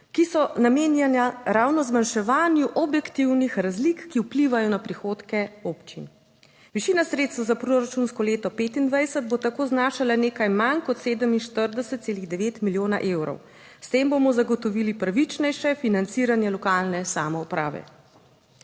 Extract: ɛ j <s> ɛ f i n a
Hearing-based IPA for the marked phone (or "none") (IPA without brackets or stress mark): ʃ